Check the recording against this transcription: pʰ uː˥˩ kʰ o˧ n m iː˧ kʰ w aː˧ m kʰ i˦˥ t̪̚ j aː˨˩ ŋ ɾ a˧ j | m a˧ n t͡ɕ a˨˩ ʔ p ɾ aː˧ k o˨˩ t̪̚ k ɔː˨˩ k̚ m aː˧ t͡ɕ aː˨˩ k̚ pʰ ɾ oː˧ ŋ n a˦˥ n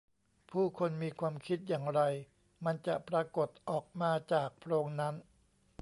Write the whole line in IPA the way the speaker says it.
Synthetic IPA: pʰ uː˥˩ kʰ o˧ n m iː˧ kʰ w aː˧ m kʰ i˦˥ t̪̚ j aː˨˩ ŋ ɾ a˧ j | m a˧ n t͡ɕ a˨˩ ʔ p ɾ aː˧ k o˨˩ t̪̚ ʔ ɔː˨˩ k̚ m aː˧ t͡ɕ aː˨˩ k̚ pʰ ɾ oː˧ ŋ n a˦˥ n